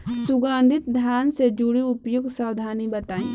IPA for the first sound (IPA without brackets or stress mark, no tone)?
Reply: s